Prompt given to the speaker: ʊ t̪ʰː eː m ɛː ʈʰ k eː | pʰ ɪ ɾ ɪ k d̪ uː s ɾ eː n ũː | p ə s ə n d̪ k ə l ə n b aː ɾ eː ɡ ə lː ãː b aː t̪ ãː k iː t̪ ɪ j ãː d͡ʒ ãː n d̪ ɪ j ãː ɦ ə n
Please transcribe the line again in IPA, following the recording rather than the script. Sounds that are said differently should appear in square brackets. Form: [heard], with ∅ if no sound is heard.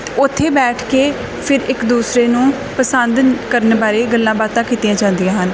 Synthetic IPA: ʊ t̪ʰː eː [b] ɛː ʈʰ k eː | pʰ ɪ ɾ ɪ k d̪ uː s ɾ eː n ũː | p ə s ə n d̪ k ə [ɾ] ə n b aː ɾ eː ɡ ə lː ãː b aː t̪ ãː k iː t̪ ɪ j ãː d͡ʒ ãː n d̪ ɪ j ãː ɦ ə n